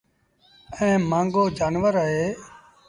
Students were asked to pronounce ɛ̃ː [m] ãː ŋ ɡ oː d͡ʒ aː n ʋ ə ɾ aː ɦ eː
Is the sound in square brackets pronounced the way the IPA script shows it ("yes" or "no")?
yes